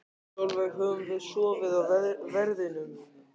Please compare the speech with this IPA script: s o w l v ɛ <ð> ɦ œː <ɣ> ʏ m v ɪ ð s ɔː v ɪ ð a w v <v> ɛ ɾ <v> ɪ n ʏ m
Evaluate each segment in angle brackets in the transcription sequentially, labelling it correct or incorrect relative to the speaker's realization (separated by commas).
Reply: incorrect, incorrect, correct, incorrect